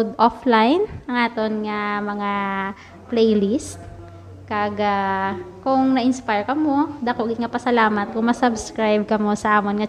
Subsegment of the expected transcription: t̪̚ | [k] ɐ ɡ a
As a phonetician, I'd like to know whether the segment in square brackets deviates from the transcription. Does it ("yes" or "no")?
no